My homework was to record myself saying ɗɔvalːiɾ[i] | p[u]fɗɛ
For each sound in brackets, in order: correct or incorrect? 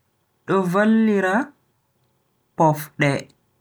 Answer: incorrect: a, incorrect: ɔ

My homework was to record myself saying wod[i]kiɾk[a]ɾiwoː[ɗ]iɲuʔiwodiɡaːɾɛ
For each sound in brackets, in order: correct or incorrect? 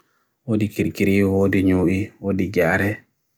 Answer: correct, incorrect: i, incorrect: d

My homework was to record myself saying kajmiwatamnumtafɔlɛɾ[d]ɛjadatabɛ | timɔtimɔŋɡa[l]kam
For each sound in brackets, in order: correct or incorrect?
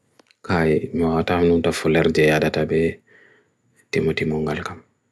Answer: incorrect: d͡ʒ, correct

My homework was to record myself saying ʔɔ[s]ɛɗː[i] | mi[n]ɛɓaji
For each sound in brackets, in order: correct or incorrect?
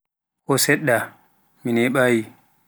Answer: correct, incorrect: a, correct

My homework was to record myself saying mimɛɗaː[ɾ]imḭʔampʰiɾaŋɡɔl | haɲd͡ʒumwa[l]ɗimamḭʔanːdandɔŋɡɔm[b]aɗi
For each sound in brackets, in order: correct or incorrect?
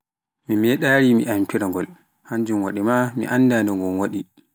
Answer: correct, incorrect: none, incorrect: w

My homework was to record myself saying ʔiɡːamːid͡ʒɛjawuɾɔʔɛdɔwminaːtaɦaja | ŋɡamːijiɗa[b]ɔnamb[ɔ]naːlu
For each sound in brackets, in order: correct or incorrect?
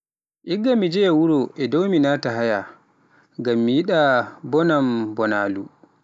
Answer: correct, correct

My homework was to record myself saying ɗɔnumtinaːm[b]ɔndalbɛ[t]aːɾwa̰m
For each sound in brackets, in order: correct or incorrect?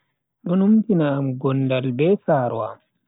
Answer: incorrect: ɡ, incorrect: s

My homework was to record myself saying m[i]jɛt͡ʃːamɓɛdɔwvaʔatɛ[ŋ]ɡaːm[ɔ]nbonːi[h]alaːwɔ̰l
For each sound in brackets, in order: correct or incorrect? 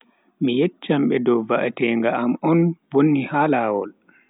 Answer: correct, correct, correct, correct

